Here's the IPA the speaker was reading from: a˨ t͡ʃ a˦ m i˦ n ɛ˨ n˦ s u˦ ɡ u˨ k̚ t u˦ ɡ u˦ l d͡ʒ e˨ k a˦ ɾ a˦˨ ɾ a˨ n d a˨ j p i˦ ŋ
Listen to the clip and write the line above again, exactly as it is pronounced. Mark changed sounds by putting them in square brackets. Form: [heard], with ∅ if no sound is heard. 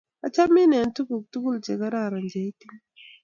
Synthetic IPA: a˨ t͡ʃ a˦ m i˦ n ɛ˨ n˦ [t] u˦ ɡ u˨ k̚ t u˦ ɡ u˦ l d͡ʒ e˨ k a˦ ɾ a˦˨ ɾ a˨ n [d͡ʒ] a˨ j [t] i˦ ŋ